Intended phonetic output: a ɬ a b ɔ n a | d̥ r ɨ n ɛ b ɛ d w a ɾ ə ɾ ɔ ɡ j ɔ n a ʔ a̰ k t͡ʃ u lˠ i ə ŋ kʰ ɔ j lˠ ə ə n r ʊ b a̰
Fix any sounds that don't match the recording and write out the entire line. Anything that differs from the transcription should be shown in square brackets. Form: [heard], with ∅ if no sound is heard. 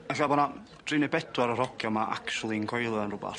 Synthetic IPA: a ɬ a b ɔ n a | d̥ r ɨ n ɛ b ɛ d w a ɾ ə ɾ ɔ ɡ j ɔ [m] a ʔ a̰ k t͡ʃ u lˠ i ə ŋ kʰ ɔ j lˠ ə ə n r ʊ b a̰